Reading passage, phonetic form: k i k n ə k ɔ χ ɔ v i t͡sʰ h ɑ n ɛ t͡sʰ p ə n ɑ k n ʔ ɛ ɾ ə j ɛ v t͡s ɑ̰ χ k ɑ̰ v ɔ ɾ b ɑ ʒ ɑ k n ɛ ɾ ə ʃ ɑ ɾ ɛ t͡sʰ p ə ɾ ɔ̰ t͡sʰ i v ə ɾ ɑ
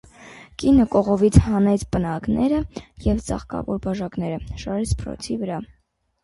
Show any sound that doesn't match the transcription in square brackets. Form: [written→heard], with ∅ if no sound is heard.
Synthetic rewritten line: k i [k→∅] n ə k ɔ [χ→ʁ] ɔ v i t͡sʰ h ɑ n ɛ t͡sʰ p ə n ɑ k n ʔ ɛ ɾ ə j ɛ v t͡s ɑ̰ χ k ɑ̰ v ɔ ɾ b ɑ ʒ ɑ k n ɛ ɾ ə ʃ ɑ ɾ ɛ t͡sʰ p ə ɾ ɔ̰ t͡sʰ i v ə ɾ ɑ